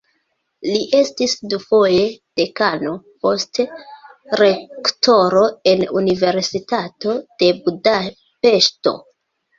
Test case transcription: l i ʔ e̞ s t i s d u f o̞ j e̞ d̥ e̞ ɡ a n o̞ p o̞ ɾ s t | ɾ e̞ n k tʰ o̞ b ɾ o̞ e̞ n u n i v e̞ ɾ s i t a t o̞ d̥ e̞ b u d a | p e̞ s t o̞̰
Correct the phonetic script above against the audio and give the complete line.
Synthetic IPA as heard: l i ʔ e̞ s t i s d u f o̞ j e̞ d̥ e̞ k a n o̞ p o̞ s t | ɾ e̞ k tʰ o̞ ɾ o̞ e̞ n u n i v e̞ ɾ s i t a t o̞ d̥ e̞ b u d a | p e̞ ʃ t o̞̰